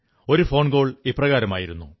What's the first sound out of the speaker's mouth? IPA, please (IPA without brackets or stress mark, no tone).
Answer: o̞